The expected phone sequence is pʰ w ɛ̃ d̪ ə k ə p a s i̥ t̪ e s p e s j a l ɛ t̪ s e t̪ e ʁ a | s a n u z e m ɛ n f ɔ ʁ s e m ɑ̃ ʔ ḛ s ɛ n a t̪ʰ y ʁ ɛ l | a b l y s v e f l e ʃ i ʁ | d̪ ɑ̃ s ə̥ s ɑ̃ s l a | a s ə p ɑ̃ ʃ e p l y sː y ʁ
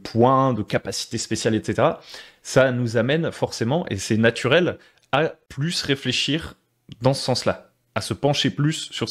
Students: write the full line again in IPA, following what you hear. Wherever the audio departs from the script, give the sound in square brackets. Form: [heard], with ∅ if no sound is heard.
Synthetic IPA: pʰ w ɛ̃ d̪ ə k [a] p a s i̥ t̪ e s p e s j a l ɛ t̪ s e t̪ e ʁ a | s a n u z [a] m ɛ n f ɔ ʁ s e m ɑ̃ ʔ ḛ s ɛ n a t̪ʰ y ʁ ɛ l | a [p] l y s [ʁ] e f l e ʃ i ʁ | d̪ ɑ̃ s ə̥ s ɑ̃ s l a | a s ə p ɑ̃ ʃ e p l y sː y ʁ